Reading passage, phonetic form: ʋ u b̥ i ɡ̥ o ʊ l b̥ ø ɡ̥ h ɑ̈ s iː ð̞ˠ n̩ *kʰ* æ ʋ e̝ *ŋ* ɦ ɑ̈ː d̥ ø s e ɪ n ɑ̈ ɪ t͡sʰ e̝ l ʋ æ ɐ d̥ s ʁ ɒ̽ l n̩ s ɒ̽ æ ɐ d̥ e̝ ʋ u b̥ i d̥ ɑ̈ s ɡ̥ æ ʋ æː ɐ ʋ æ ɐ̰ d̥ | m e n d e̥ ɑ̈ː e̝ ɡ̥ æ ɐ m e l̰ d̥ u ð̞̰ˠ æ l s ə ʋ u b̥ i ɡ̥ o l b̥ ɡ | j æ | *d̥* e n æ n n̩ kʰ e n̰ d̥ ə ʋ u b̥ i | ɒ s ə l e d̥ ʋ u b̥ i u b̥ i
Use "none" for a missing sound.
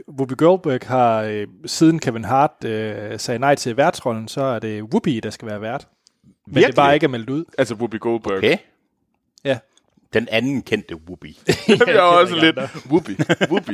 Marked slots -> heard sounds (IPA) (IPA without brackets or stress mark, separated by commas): kʰ, n, d̥